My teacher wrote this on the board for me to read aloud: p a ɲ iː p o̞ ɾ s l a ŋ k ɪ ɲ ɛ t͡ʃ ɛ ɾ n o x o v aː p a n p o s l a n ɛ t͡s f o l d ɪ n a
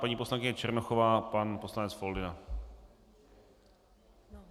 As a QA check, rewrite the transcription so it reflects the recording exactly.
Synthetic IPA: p a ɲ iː p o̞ s l a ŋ k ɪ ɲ ɛ t͡ʃ ɛ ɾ n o x o v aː p a n p o s l a n ɛ t͡s f o l d ɪ n a